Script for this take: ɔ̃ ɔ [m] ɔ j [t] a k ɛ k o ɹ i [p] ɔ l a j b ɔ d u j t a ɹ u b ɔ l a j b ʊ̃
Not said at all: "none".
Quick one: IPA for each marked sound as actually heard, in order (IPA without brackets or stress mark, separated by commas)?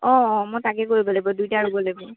m, t, b